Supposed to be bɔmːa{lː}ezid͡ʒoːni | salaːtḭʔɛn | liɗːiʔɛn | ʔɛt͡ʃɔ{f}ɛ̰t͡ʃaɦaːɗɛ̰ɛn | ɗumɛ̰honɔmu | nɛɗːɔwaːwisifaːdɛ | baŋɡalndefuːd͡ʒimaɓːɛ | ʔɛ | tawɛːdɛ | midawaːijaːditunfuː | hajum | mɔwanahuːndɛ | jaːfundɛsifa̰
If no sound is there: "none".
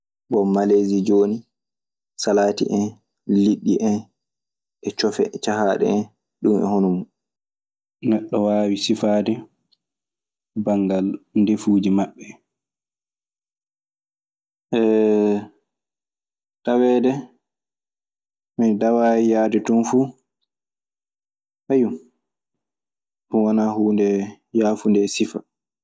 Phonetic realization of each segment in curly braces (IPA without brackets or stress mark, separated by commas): l, f